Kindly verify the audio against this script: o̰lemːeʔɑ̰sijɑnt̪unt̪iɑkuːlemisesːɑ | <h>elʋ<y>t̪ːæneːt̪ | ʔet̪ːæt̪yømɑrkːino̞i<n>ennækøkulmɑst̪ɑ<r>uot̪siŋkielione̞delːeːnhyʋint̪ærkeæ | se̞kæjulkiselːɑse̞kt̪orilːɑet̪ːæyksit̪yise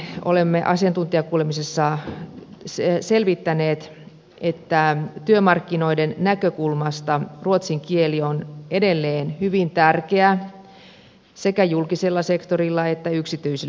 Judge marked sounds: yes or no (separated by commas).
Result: no, no, no, yes